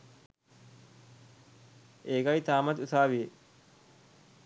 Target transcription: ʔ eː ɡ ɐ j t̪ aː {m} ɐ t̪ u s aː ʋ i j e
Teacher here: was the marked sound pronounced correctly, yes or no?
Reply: yes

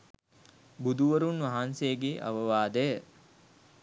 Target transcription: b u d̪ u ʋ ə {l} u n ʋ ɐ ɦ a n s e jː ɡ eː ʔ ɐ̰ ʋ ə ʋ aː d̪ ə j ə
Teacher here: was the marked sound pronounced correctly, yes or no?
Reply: no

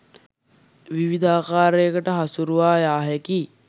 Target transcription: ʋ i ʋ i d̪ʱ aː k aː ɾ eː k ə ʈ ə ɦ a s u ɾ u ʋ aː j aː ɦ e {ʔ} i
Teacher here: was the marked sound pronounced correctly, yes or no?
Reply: no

